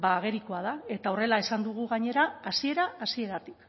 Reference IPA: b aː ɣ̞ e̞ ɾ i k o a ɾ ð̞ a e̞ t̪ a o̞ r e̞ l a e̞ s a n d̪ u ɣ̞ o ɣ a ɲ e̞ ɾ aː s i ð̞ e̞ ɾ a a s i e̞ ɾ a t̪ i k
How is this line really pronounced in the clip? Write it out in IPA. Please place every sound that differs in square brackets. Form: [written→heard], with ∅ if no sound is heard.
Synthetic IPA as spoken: b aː ɣ̞ e̞ ɾ i k o a [ɾ→∅] ð̞ a e̞ t̪ a o̞ r e̞ l a e̞ s a n d̪ u ɣ̞ [o→u] ɣ a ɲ e̞ ɾ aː s i [ð̞→∅] e̞ ɾ a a s i e̞ ɾ a t̪ i k

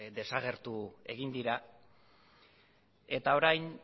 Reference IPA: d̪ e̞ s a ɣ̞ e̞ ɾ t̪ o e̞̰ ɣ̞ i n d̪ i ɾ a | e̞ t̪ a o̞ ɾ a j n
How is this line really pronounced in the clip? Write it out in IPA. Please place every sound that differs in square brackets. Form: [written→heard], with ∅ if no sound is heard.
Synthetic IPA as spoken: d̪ e̞ s a ɣ̞ e̞ ɾ t̪ [o→u] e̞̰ ɣ̞ i n d̪ i ɾ a | e̞ t̪ a o̞ ɾ a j n

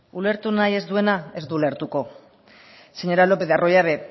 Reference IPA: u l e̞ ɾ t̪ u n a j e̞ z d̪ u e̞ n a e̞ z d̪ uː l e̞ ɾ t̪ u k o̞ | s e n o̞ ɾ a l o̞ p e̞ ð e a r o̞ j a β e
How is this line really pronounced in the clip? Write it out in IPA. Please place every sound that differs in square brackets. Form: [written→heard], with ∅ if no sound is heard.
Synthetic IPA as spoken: u l e̞ ɾ t̪ u n a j e̞ z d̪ u e̞ n a e̞ z d̪ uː l e̞ ɾ t̪ u k o̞ | s e [n→ɲ] o̞ ɾ a l o̞ p e̞ ð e a r o̞ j a β e

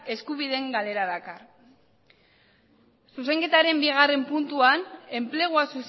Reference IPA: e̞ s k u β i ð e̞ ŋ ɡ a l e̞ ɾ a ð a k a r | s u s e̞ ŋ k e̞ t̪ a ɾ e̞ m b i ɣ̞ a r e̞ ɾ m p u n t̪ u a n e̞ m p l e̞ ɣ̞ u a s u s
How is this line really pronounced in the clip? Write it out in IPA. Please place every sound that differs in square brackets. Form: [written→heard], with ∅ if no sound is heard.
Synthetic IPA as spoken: e̞ s k u β i ð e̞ ŋ ɡ a l e̞ ɾ a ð a k a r | s u s e̞ ŋ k e̞ t̪ a ɾ e̞ m b i ɣ̞ a r e̞ [ɾ→∅] m p u n t̪ u a n e̞ m p l e̞ ɣ̞ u a s u s

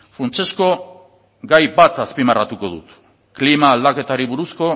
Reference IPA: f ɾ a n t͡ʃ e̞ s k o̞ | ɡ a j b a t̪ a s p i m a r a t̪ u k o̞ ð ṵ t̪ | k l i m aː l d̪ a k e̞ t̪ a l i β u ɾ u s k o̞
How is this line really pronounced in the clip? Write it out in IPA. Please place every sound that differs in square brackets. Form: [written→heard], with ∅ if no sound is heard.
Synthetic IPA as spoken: f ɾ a n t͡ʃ e̞ s k o̞ | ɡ a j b a t̪ a s p i m a r a t̪ u k o̞ ð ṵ t̪ | k l i m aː l d̪ a k e̞ t̪ a [l→ɾ] i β u ɾ u s k o̞

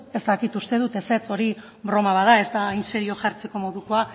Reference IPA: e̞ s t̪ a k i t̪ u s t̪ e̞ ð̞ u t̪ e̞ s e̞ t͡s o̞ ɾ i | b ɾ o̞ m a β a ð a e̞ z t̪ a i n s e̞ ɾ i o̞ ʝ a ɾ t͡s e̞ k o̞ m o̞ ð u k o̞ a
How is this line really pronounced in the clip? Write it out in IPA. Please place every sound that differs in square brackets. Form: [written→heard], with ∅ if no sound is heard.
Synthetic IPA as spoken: e̞ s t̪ a k i t̪ u s t̪ e̞ ð̞ u t̪ e̞ s e̞ t͡s o̞ ɾ i | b ɾ o̞ m a β a ð a e̞ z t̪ a i n s e̞ ɾ i o̞ ʝ a ɾ t͡s e̞ k o̞ m o̞ ð u k o̞ a

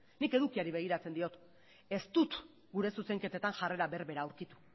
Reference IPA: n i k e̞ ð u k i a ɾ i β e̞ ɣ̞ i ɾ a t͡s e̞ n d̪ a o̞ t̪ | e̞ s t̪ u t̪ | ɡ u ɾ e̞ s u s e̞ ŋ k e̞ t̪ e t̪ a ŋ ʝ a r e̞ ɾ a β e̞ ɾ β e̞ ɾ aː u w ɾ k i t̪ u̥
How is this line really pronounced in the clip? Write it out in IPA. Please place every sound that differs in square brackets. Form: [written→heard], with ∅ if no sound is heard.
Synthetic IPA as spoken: n i k e̞ ð u k i a ɾ i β e̞ ɣ̞ i ɾ a t͡s e̞ n d̪ [a→i] o̞ t̪ | e̞ s t̪ u t̪ | ɡ u ɾ e̞ s u s e̞ ŋ k e̞ t̪ e t̪ a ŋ ʝ a r e̞ ɾ a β e̞ ɾ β e̞ ɾ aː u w ɾ k i t̪ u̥

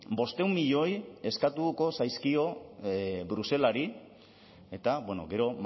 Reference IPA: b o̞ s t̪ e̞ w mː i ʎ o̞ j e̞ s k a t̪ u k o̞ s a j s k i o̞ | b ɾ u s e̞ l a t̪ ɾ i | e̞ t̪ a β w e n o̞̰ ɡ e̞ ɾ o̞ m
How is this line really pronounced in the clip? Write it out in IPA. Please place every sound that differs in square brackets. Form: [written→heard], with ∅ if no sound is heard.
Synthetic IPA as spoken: b o̞ s t̪ e̞ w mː i ʎ o̞ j e̞ s k a t̪ u k o̞ s a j s k i o̞ | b ɾ u s e̞ l a [t̪→∅] ɾ i | e̞ t̪ a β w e n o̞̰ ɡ e̞ ɾ o̞ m

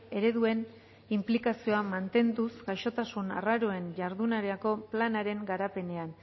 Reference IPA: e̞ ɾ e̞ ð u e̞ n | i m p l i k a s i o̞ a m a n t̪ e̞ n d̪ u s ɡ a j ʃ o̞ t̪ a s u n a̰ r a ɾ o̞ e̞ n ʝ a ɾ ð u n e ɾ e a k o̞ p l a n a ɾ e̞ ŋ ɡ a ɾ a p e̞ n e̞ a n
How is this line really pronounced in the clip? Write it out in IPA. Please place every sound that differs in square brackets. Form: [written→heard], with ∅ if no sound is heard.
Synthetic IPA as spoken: e̞ ɾ e̞ ð u e̞ n | i m p l i k a s i o̞ a m a n t̪ e̞ n d̪ u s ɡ a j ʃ o̞ t̪ a s u n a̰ r a ɾ o̞ e̞ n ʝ a ɾ ð u n [e→a] ɾ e a k o̞ p l a n a ɾ e̞ ŋ ɡ a ɾ a p e̞ n e̞ a n

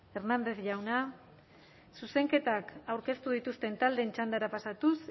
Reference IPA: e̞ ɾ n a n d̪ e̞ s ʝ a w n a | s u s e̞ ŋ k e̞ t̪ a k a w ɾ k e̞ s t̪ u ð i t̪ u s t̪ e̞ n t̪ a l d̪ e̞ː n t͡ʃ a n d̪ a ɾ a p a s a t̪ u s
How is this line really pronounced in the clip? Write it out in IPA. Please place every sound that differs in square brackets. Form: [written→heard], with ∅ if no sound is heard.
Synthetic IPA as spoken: e̞ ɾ n a n d̪ e̞ [s→θ] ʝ a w n a | s u s e̞ ŋ k e̞ t̪ a k a w ɾ k e̞ s t̪ u ð i t̪ u s t̪ e̞ n t̪ a l d̪ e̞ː n t͡ʃ a n d̪ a ɾ a p a s a t̪ u s

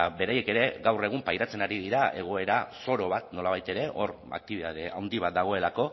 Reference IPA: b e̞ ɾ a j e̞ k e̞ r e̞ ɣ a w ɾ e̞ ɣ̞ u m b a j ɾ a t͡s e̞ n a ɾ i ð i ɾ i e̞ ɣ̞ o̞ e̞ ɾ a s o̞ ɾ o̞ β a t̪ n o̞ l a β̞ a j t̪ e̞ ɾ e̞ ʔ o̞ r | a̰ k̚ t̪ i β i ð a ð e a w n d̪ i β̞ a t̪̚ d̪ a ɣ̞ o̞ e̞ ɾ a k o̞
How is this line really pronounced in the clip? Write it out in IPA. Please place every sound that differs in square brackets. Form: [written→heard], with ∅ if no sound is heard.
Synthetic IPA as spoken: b e̞ ɾ a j e̞ k e̞ [r→ɾ] e̞ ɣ a w [ɾ→r] e̞ ɣ̞ u m [b→p] a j ɾ a t͡s e̞ n a ɾ i ð i ɾ [i→a] e̞ ɣ̞ o̞ e̞ ɾ a s o̞ ɾ o̞ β a t̪ n o̞ l a β̞ a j t̪ e̞ ɾ e̞ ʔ o̞ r | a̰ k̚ t̪ i β i ð a ð e a w n d̪ i β̞ a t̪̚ d̪ a ɣ̞ o̞ e̞ [ɾ→l] a k o̞

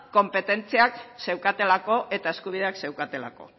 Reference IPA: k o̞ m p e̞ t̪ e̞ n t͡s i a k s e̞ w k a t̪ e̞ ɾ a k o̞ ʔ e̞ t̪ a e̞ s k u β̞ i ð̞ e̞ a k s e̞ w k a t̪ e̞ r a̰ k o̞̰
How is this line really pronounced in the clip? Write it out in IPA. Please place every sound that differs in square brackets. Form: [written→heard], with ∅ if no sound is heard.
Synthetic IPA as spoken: k o̞ m p e̞ t̪ e̞ n t͡s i a k s e̞ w k a t̪ e̞ [ɾ→l] a k o̞ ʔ e̞ t̪ a e̞ s k u β̞ i ð̞ e̞ a k s e̞ w k a t̪ e̞ [r→l] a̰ k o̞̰

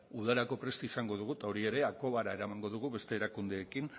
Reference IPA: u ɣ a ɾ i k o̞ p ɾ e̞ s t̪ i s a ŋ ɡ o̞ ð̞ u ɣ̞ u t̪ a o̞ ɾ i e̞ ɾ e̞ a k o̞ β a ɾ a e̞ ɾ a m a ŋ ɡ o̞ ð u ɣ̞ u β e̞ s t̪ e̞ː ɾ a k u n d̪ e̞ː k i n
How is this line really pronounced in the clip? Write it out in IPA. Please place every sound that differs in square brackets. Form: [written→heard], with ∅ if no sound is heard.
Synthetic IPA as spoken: u [ɣ→ð] a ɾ [i→a] k o̞ p ɾ e̞ s t̪ i s a ŋ ɡ o̞ ð̞ u ɣ̞ u t̪ a o̞ ɾ i e̞ ɾ e̞ a k o̞ β a ɾ a e̞ ɾ a m a ŋ ɡ o̞ ð u ɣ̞ u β e̞ s t̪ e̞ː ɾ a k u n d̪ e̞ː k i n

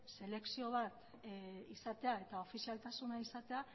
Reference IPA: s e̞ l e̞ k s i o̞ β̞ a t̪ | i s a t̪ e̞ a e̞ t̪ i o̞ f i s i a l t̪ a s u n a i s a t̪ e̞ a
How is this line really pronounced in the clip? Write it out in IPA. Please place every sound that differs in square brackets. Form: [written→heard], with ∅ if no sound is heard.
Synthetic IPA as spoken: s e̞ l e̞ k s i o̞ β̞ a t̪ | i s a t̪ e̞ a e̞ t̪ [i→a] o̞ f i s i a l t̪ a s u n a i s a t̪ e̞ a

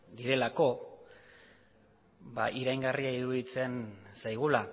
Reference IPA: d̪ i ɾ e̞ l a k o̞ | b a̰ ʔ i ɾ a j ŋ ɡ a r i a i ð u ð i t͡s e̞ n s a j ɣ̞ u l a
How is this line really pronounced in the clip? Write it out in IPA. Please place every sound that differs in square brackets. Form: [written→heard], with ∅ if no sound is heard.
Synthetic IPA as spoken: d̪ i ɾ e̞ l a k o̞ | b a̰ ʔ i ɾ a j ŋ ɡ a r i a i ð u ð i t͡s e̞ n s a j ɣ̞ u l a

